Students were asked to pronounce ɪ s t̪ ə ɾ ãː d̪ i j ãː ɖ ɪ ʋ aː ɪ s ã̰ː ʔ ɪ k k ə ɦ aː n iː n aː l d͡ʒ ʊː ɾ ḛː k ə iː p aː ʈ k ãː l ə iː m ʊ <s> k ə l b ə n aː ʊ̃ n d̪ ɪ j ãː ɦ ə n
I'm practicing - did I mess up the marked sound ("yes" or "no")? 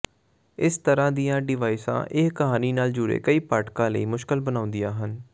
yes